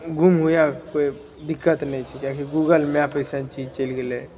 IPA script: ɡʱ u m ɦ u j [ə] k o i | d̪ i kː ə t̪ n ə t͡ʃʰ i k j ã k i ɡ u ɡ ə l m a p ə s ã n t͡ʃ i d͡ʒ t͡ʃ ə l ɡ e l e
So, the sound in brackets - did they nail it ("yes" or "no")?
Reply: no